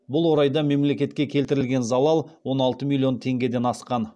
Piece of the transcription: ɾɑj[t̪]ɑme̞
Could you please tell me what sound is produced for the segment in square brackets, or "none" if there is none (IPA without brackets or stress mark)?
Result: d̪